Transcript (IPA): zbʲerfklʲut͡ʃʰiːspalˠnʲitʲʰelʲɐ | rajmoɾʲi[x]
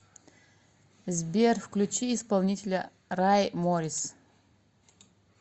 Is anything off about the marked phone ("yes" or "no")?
yes